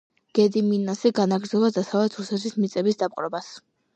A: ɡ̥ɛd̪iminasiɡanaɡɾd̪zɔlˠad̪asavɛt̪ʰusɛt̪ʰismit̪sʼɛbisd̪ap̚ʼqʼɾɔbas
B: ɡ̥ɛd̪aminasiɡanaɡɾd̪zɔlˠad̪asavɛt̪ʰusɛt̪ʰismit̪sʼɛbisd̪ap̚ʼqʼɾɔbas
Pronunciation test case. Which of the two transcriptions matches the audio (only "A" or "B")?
A